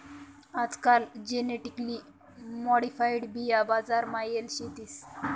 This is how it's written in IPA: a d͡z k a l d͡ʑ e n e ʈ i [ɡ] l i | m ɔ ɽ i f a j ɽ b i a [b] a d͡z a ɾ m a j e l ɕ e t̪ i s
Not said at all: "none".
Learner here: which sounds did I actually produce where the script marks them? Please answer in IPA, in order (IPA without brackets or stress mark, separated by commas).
k, b